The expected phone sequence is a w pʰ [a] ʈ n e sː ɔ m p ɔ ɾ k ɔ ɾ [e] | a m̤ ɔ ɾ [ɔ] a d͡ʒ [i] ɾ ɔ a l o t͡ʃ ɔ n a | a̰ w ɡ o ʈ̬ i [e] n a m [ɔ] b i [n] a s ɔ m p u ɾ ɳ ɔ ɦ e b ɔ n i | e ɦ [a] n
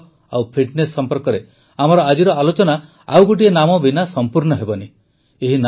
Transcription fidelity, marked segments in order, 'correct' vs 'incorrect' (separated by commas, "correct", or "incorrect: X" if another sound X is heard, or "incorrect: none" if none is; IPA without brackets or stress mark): incorrect: i, correct, correct, correct, correct, correct, correct, incorrect: i